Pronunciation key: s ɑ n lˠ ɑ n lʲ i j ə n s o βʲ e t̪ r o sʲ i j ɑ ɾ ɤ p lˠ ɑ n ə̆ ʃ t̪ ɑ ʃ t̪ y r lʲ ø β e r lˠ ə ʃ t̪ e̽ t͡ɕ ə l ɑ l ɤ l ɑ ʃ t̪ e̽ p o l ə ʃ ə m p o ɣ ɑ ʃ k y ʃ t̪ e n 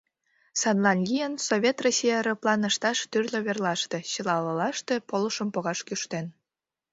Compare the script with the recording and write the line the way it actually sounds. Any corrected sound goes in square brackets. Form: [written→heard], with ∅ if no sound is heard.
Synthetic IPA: s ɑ n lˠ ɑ n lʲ i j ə n s o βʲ e t̪ r o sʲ i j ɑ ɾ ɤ p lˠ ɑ n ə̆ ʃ t̪ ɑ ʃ t̪ y r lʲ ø β e r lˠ [ə→ɑ] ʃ t̪ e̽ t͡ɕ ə l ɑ l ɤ l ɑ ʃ t̪ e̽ p o l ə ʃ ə m p o ɣ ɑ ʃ k y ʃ t̪ e n